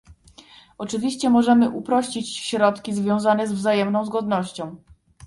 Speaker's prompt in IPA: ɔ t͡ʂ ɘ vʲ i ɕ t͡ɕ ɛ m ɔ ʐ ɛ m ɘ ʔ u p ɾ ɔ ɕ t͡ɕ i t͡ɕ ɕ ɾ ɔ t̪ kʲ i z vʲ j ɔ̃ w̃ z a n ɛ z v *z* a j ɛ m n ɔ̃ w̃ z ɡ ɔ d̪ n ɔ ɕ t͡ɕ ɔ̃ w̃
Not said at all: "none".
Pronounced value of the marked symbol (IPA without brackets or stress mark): z